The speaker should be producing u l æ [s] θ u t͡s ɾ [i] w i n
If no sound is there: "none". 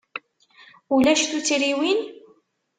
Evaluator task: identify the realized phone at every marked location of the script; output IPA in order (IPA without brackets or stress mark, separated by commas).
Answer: ʃ, i